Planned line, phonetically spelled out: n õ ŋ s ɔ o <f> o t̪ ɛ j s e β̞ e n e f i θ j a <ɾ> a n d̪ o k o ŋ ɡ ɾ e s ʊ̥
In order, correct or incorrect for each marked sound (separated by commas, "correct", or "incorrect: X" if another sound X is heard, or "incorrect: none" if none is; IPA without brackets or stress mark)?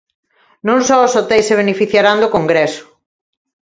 incorrect: s, correct